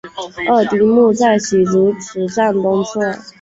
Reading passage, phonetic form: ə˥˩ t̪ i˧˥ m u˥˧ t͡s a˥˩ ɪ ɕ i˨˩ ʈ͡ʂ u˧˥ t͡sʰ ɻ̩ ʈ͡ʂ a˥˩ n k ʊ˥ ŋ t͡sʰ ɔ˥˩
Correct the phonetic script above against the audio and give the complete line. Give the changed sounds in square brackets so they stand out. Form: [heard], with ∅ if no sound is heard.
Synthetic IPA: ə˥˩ t̪ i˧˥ m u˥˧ t͡s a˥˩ ɪ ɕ i˨˩ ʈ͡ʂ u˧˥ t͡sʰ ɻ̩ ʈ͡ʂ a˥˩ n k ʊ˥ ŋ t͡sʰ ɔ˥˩